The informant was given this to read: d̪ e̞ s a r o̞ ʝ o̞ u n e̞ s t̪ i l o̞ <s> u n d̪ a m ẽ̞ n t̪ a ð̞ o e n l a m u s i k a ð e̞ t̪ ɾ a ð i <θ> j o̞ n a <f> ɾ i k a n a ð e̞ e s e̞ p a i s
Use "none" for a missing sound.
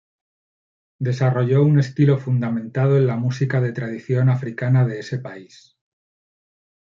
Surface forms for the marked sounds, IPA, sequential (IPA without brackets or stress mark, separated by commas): f, θ, f